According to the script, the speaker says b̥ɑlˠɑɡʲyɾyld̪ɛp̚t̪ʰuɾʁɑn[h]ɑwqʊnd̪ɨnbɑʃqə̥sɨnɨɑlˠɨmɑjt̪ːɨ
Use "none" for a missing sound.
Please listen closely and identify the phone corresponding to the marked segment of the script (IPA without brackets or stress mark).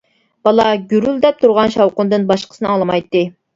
ʃ